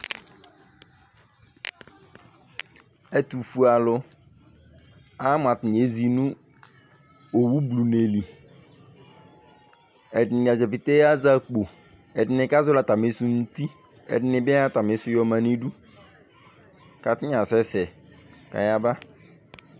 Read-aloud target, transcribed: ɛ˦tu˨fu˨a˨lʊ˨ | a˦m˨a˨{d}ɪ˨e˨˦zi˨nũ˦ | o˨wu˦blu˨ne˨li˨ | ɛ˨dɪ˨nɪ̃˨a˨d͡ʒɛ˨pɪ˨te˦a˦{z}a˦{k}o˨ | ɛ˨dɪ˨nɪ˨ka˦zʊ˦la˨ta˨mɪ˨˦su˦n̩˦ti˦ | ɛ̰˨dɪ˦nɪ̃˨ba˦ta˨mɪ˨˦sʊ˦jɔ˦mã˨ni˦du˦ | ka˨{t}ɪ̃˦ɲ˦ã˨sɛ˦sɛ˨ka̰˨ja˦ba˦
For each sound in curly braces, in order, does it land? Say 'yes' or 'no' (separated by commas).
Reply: no, yes, no, yes